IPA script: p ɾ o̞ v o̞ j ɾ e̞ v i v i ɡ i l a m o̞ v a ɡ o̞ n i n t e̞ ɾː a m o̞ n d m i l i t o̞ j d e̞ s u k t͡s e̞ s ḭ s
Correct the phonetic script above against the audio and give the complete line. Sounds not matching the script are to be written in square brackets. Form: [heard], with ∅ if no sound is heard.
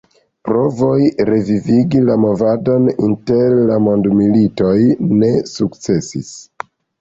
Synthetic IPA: p ɾ o̞ v o̞ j ɾ e̞ v i v i ɡ i l a m o̞ v a [d] o̞ n i n t e̞ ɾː a m o̞ n d m i l i t o̞ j [n] e̞ s u k t͡s e̞ s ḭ s